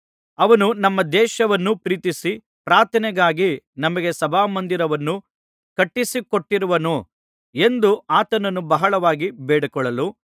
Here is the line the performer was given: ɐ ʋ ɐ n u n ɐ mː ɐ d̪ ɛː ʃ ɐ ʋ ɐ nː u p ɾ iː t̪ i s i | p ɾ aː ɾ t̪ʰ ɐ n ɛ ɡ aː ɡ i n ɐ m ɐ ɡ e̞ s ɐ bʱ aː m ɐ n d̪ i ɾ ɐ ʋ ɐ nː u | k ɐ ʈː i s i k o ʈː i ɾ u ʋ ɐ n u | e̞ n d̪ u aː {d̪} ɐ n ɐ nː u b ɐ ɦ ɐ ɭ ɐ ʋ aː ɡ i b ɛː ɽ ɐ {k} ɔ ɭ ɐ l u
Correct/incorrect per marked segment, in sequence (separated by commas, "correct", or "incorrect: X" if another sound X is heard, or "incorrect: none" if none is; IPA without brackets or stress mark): incorrect: t̪, correct